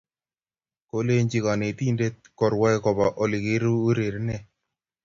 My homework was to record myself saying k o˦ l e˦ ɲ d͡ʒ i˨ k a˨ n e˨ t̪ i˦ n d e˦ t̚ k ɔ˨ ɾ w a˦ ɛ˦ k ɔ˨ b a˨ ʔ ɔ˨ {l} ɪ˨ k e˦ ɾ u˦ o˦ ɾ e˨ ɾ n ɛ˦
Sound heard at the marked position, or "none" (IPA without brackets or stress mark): l